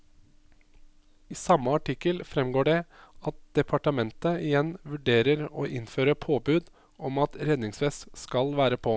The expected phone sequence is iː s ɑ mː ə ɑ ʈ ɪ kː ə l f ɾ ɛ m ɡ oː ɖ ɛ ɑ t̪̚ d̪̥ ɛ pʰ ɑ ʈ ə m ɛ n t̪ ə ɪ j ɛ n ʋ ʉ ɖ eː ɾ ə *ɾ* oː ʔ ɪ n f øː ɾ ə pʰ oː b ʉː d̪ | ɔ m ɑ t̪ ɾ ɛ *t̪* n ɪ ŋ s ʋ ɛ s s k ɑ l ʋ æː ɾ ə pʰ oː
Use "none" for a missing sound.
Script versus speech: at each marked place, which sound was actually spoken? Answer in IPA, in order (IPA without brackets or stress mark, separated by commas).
ɾ, d̪